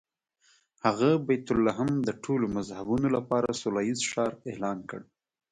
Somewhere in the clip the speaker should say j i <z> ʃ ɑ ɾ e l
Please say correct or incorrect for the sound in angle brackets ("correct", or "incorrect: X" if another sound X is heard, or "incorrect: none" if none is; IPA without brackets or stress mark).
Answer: correct